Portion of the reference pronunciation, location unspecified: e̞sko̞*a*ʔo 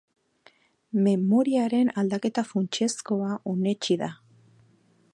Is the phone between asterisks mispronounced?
no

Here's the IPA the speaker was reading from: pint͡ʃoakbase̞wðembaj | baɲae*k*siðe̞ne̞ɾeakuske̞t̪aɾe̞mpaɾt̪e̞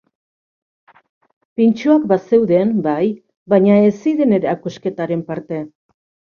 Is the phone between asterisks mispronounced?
yes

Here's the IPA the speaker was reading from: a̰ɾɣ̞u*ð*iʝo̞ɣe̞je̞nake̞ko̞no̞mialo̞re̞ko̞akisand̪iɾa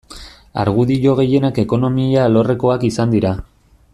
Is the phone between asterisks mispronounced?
no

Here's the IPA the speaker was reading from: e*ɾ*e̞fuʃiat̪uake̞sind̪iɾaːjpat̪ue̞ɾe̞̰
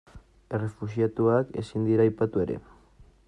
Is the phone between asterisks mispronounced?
yes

